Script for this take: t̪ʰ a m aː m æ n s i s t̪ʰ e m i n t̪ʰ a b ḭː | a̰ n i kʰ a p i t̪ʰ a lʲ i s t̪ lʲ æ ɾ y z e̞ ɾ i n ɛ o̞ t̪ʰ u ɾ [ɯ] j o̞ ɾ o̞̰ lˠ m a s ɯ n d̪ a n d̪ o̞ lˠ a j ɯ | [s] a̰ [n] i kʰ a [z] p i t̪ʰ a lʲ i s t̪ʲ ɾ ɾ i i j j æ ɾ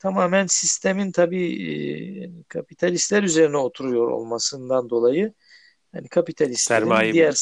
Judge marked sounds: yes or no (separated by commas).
no, no, yes, no